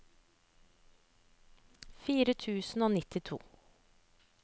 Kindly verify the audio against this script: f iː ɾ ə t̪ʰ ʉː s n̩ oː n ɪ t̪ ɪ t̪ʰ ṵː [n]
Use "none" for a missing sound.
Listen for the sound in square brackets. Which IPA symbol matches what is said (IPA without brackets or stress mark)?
none